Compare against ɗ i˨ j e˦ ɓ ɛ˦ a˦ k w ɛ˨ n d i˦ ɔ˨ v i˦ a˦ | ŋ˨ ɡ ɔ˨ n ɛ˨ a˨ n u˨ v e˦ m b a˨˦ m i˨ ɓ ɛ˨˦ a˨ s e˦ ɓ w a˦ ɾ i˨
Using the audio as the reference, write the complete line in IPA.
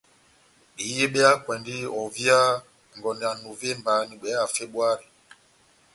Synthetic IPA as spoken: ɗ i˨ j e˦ ɓ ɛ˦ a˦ k w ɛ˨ n d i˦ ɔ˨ v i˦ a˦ | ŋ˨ ɡ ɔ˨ n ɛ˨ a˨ n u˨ v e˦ m b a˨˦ n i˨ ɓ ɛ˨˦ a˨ f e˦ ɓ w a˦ ɾ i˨